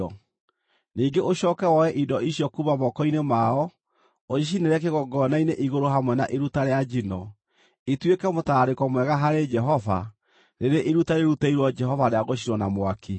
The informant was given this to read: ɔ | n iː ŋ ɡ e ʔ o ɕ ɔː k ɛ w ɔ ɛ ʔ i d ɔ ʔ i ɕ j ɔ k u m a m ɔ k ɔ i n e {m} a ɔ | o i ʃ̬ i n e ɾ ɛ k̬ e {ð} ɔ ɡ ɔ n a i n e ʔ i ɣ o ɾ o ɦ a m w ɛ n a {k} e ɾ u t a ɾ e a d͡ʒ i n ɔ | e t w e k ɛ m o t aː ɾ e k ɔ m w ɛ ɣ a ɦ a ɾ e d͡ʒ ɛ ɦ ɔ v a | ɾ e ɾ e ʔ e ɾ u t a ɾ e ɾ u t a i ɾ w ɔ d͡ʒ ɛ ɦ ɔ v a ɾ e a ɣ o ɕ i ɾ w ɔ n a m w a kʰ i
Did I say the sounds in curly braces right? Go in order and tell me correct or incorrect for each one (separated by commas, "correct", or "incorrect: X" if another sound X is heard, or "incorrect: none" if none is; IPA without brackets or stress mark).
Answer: correct, incorrect: ɣ, incorrect: ʔ